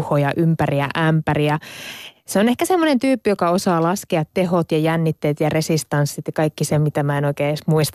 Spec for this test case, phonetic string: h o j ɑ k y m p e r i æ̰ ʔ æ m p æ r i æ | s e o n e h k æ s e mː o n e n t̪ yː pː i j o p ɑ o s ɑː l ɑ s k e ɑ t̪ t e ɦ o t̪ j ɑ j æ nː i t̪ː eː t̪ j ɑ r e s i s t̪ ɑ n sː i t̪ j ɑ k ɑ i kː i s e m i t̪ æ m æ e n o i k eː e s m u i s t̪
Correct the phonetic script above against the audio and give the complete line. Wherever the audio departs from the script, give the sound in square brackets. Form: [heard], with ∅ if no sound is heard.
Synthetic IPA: h o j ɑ [ʔ] y m p [æ] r i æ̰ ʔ æ m p æ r i æ | s e o n e h k æ s e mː o n e n t̪ yː pː i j o [k] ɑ o s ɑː l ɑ s k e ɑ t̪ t e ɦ o t̪ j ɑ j æ nː i t̪ː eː t̪ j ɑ r e s i s t̪ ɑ n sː i t̪ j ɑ k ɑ i kː i s e m i t̪ æ m æ e n o i k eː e s m u i s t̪